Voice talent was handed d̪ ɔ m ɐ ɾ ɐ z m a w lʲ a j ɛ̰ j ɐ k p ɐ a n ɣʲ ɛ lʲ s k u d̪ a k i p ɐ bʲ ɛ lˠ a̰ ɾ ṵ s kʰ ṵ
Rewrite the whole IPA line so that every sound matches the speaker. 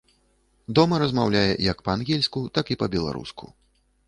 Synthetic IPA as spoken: d̪ ɔ m ɐ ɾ ɐ z m a w lʲ a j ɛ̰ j ɐ k p ɐ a n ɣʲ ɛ lʲ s k u t̪ a k i p ɐ bʲ ɛ lˠ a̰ ɾ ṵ s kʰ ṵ